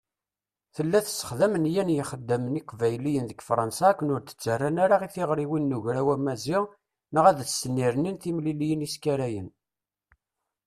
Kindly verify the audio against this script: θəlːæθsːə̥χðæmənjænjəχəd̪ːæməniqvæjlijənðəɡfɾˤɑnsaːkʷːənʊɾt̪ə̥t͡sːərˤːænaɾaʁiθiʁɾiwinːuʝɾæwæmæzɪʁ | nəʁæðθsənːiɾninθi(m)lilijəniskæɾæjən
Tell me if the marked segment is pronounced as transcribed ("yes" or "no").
yes